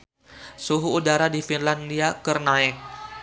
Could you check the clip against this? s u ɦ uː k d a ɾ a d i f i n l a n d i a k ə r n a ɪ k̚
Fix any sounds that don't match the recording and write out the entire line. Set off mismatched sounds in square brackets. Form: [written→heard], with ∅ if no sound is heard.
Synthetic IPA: s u ɦ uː [k→∅] d a ɾ a d i f i n l a n d i a k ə r n a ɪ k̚

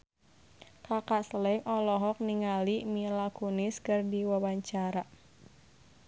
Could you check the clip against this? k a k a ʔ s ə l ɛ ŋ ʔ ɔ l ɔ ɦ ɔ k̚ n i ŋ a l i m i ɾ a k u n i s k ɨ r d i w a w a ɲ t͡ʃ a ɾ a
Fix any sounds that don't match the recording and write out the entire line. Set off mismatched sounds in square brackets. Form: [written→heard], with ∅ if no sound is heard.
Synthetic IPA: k a k a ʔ s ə l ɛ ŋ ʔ ɔ l ɔ ɦ ɔ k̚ n i ŋ a l i m i [ɾ→l] a k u n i s k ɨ r d i w a w a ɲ t͡ʃ a ɾ a

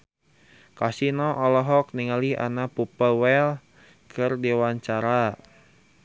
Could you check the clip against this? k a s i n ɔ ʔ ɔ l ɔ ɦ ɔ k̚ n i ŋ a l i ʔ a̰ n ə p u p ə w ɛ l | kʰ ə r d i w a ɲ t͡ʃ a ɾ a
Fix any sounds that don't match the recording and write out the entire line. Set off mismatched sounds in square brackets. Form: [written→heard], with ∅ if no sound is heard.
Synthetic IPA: k a s i n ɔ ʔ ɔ l ɔ ɦ ɔ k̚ n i ŋ a l i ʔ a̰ n [ə→a] p u p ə w ɛ l | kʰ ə r d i w a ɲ t͡ʃ a ɾ a

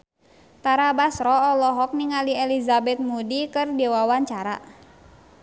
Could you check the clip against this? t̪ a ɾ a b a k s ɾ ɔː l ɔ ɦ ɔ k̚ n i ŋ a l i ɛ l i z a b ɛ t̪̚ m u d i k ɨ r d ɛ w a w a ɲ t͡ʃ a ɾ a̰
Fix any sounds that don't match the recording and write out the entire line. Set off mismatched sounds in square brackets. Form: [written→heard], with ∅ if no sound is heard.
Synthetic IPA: t̪ a ɾ a b a [k→∅] s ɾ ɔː l ɔ ɦ ɔ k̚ n i ŋ a l i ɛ l i z a b ɛ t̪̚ m u d i k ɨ r d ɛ w a w a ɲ t͡ʃ a ɾ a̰

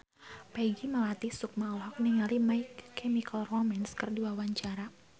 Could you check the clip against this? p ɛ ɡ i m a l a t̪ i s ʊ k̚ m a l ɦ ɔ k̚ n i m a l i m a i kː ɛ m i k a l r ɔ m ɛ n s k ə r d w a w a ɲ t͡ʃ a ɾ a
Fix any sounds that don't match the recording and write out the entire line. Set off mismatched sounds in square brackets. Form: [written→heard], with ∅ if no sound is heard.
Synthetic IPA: p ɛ ɡ i m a l a t̪ i s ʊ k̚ m a l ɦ ɔ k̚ n i [m→ŋ] a l i m a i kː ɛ m i k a l r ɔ m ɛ n s k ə r d [w→u] a w a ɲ t͡ʃ a ɾ a

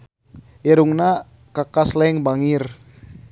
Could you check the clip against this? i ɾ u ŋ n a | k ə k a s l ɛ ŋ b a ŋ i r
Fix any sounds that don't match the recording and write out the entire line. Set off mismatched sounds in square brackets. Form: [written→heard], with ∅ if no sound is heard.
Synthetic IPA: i ɾ u ŋ n a | k [ə→a] k a s l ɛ ŋ b a ŋ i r

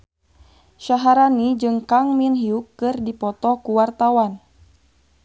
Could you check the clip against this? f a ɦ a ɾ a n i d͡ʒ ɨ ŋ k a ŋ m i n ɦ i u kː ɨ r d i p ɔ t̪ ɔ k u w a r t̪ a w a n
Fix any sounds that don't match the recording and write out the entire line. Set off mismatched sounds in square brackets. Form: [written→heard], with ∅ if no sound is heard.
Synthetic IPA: [f→ʃ] a ɦ a ɾ a n i d͡ʒ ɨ ŋ k a ŋ m i n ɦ i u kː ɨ r d i p ɔ t̪ ɔ k u w a r t̪ a w a n

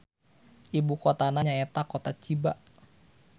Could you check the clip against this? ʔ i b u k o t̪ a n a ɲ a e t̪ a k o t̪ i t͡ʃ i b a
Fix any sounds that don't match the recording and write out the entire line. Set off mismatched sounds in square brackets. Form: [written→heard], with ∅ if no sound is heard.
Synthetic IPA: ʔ i b u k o t̪ a n a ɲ a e t̪ a k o t̪ [i→a] t͡ʃ i b a

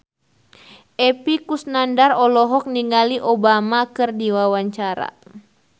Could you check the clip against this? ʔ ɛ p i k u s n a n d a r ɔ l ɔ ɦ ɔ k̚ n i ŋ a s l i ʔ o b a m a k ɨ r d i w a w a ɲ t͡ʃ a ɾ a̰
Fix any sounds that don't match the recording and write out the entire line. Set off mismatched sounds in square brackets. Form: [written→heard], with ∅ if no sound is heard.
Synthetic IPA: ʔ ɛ p i k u s n a n d a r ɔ l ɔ ɦ ɔ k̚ n i ŋ a [s→∅] l i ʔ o b a m a k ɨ r d i w a w a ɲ t͡ʃ a ɾ a̰

